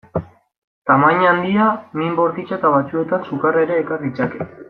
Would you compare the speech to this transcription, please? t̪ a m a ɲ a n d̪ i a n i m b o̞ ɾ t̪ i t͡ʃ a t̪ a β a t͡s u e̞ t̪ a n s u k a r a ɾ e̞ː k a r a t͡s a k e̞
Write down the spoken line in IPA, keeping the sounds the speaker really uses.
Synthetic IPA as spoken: t̪ a m a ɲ a n d̪ i a m i m b o̞ ɾ t̪ i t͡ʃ a t̪ a β a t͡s u e̞ t̪ a n s u k a r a ɾ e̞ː k a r i t͡s a k e̞